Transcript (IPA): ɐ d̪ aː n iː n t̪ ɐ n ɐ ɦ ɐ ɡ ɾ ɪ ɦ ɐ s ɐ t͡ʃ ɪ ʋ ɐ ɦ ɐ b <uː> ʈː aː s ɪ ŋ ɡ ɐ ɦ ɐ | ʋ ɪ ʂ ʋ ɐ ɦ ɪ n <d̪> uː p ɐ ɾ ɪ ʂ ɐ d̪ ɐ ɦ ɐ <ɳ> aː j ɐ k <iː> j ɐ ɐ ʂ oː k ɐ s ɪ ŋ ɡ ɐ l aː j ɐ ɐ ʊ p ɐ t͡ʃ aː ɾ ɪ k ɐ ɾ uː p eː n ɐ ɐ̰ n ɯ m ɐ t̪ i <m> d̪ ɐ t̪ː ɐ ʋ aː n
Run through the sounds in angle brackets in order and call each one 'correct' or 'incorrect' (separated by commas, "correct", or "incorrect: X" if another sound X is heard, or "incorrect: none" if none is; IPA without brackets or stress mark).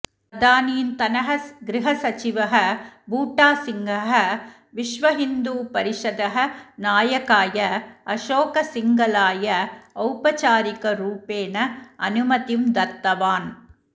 correct, correct, incorrect: n, incorrect: aː, correct